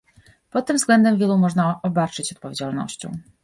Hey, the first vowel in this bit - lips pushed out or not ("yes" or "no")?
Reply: yes